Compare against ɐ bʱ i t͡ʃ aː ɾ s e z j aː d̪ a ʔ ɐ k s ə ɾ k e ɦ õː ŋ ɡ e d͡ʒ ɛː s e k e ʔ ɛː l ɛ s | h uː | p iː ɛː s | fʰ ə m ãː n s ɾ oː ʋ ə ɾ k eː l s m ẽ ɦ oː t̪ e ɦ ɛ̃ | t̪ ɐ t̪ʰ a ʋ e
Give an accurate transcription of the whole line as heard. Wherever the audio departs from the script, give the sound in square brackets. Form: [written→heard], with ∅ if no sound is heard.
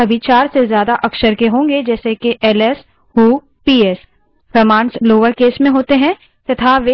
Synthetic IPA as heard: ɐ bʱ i t͡ʃ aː ɾ s e z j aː d̪ a ʔ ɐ k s ə ɾ k e ɦ õː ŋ ɡ e d͡ʒ ɛː s e k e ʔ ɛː l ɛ s | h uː | p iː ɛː s | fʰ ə m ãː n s [ɾ→l] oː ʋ ə ɾ k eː [l→∅] s m ẽ ɦ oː t̪ e ɦ ɛ̃ | t̪ ɐ t̪ʰ a ʋ e